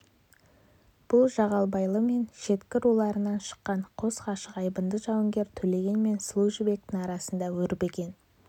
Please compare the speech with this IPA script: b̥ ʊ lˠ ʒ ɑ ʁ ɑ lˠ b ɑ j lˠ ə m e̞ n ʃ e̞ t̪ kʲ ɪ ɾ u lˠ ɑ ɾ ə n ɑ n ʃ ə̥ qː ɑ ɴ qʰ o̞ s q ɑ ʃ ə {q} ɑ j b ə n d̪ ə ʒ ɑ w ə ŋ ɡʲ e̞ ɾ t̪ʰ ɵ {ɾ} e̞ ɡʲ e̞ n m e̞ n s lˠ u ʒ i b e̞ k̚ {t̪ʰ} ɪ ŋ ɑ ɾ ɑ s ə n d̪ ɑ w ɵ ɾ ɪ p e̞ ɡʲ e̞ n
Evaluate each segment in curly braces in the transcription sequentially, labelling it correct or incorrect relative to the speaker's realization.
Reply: correct, incorrect: l, incorrect: t̪

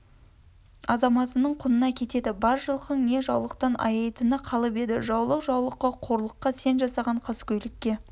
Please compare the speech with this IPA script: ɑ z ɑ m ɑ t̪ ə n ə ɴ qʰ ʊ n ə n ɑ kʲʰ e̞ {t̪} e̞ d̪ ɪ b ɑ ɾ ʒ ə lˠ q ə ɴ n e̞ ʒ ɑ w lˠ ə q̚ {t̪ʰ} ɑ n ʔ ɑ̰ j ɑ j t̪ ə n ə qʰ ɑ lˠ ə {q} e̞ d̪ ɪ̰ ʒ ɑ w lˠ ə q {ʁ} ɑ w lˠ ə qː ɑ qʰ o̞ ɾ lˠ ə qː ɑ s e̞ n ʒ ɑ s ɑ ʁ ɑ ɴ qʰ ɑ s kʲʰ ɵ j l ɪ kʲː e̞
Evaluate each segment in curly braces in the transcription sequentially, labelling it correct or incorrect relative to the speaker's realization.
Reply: correct, incorrect: t̪, incorrect: p, incorrect: ʒ

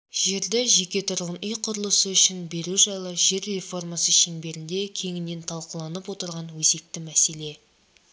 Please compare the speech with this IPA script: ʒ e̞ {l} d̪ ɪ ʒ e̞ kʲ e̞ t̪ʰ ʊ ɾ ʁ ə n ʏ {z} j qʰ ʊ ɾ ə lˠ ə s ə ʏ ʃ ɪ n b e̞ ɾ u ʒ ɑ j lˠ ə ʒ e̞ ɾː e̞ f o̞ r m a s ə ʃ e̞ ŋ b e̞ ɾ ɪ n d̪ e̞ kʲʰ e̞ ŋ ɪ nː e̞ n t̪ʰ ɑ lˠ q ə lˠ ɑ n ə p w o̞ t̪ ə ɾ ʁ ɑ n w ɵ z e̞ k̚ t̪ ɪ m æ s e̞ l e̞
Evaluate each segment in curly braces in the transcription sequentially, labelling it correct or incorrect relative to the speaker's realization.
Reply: incorrect: ɾ, incorrect: none

